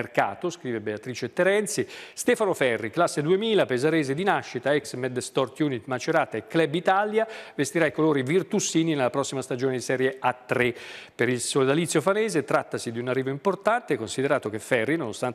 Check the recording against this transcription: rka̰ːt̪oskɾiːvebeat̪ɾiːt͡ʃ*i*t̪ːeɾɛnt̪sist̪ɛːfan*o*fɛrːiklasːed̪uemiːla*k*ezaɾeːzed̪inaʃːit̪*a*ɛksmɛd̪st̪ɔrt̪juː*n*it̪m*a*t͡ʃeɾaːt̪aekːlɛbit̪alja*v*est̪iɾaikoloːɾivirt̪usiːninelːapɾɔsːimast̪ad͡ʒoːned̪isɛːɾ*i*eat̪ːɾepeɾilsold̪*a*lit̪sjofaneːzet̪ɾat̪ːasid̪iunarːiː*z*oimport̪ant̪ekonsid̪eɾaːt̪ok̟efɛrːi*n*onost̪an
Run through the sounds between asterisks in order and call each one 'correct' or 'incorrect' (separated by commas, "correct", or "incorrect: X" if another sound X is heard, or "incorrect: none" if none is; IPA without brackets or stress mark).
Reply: incorrect: e, correct, incorrect: p, correct, correct, correct, correct, incorrect: j, correct, incorrect: v, correct